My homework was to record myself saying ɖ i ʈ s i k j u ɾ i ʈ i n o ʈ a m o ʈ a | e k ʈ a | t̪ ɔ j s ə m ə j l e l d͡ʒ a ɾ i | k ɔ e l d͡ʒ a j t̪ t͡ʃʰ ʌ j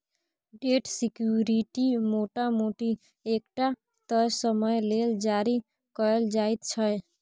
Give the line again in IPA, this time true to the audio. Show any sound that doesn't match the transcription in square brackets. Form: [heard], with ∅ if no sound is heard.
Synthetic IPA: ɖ [e] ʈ s i k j u ɾ i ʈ i [m] o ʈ a m o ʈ [i] | e k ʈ a | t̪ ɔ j s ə m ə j l e l d͡ʒ a ɾ i | k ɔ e l d͡ʒ a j t̪ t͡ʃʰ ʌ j